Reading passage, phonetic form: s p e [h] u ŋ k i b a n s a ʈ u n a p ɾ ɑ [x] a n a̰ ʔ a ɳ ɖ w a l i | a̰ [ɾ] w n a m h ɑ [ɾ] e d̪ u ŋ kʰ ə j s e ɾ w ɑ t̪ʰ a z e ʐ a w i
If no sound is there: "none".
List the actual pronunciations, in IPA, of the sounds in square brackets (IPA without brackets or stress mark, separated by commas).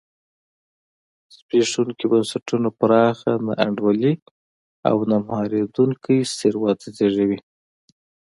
ʂ, x, none, ɾ